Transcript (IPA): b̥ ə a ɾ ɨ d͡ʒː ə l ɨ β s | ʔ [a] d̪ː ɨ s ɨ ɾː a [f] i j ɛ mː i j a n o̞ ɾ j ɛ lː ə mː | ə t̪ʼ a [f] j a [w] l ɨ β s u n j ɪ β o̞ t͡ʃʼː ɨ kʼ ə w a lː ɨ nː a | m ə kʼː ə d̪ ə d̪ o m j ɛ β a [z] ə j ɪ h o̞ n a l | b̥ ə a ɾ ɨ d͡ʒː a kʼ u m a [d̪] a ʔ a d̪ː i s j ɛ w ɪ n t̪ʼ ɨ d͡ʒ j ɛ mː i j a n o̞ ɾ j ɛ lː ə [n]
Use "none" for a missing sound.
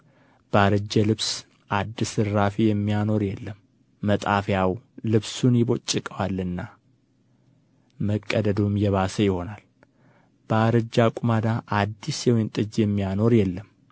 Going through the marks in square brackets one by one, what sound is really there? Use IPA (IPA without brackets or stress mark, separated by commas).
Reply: a, f, f, w, s, d̪, m